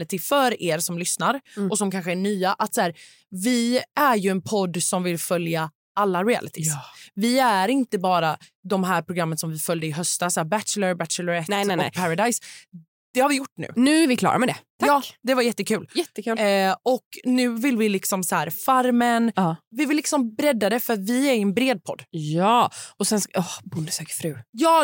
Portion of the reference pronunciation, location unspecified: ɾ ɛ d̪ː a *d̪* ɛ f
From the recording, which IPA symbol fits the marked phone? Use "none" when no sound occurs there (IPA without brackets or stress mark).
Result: d̪